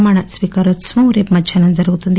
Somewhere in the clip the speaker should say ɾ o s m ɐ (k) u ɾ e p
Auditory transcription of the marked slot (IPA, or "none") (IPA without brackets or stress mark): none